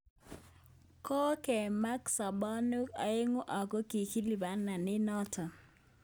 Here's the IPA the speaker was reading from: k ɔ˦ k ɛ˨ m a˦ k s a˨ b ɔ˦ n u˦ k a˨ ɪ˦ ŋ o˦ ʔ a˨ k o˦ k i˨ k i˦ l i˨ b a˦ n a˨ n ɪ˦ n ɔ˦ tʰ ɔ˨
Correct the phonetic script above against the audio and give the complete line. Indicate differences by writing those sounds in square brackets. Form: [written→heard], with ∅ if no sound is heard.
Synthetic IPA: k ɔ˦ k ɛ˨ m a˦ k s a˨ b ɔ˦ n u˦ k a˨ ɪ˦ ŋ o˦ ʔ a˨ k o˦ k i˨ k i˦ l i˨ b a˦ n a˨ n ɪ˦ n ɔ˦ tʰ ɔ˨